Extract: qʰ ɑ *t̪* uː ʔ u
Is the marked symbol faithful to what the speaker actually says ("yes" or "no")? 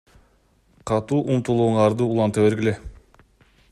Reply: yes